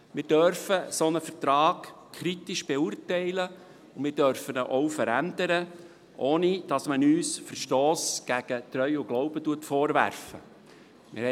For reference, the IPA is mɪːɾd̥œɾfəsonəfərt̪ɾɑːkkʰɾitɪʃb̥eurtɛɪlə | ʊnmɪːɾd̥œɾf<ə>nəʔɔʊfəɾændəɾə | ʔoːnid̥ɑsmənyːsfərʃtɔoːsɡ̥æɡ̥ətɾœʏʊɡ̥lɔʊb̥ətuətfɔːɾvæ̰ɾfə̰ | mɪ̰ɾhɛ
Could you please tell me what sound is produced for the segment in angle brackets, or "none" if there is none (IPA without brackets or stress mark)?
ə